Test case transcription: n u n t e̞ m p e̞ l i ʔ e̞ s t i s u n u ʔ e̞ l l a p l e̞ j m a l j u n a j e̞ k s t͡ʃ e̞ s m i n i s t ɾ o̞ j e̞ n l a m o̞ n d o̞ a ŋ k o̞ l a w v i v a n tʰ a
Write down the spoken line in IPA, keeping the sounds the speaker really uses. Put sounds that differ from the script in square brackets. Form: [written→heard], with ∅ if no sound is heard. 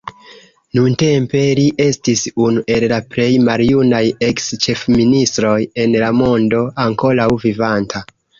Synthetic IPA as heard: n u n t e̞ m p e̞ l i ʔ e̞ s t i s u n u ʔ e̞ l l a p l e̞ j m a l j u n a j e̞ k s t͡ʃ e̞ [s→f] m i n i s t ɾ o̞ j e̞ n l a m o̞ n d o̞ a ŋ k o̞ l a w v i v a n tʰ a